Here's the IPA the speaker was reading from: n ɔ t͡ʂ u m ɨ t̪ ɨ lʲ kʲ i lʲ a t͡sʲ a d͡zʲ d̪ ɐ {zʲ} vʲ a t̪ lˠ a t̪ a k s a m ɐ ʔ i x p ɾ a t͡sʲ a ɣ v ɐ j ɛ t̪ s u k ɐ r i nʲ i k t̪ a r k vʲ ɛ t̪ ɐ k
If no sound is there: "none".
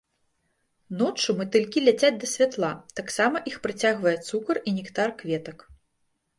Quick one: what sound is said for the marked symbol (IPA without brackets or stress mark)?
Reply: sʲ